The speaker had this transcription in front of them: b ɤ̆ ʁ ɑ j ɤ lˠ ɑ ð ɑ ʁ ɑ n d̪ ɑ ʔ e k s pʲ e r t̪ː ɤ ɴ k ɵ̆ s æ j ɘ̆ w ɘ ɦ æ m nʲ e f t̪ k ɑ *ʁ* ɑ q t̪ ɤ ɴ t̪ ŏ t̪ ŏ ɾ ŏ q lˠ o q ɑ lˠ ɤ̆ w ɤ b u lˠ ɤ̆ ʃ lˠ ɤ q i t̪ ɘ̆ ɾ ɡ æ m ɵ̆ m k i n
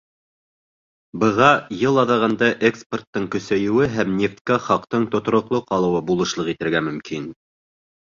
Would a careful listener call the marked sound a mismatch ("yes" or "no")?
yes